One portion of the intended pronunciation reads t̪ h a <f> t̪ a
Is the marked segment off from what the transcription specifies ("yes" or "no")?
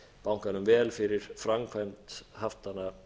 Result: no